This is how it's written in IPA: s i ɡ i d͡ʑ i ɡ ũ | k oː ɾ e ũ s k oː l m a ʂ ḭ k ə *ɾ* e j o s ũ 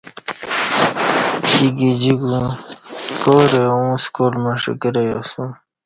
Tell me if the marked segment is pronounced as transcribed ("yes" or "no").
yes